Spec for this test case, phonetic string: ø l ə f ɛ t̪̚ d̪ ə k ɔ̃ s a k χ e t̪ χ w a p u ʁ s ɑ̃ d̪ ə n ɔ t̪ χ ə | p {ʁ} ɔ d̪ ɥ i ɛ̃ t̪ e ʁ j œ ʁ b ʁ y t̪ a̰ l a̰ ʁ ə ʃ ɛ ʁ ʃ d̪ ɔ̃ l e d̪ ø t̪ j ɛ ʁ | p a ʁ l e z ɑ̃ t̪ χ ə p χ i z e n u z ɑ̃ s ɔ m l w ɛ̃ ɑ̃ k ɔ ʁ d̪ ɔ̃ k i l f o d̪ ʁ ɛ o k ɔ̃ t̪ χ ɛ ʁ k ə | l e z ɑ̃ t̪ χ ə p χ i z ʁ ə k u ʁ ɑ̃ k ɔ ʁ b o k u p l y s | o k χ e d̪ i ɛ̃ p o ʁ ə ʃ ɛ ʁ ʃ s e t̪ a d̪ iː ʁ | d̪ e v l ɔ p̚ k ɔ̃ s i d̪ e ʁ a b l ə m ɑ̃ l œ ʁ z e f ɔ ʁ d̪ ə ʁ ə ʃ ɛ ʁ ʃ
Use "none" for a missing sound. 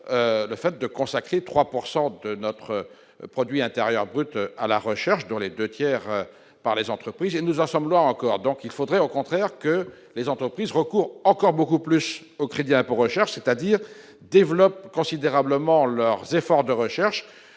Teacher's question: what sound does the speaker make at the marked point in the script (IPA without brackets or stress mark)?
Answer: χ